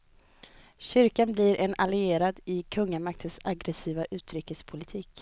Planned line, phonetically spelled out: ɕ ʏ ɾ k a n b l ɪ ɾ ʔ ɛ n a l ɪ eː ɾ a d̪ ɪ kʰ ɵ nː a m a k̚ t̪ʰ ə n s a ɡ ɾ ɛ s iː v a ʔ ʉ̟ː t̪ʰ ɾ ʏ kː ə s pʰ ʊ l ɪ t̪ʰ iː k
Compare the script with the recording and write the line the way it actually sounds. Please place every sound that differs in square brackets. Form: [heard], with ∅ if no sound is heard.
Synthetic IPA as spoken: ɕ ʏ ɾ k a n b l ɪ ɾ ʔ ɛ n a l ɪ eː ɾ a d̪ ɪ kʰ ɵ [ŋː] a m a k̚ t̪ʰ ə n s a ɡ ɾ ɛ s iː v a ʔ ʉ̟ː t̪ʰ ɾ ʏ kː ə s pʰ ʊ l ɪ t̪ʰ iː k